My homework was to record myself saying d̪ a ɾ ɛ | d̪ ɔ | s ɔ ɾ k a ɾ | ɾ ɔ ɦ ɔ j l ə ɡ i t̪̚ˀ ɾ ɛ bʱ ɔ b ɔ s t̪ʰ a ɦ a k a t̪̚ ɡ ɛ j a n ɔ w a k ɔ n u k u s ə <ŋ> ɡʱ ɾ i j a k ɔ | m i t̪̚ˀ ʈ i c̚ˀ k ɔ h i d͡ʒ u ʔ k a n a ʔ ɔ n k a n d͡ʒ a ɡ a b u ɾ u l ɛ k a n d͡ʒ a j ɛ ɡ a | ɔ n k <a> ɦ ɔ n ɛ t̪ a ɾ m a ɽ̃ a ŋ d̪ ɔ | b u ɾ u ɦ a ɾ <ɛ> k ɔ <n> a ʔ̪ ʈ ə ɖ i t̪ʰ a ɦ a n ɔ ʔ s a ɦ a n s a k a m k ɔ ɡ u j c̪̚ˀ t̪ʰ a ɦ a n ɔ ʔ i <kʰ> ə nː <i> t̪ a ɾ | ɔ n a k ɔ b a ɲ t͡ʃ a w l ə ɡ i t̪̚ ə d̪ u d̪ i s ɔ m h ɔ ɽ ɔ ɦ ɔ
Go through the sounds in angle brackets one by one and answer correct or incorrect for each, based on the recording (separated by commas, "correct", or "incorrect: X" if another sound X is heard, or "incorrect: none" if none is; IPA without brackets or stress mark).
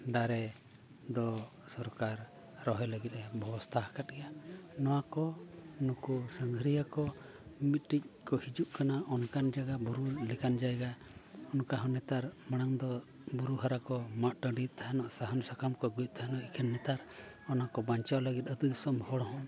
correct, correct, incorrect: a, incorrect: m, correct, incorrect: ɛ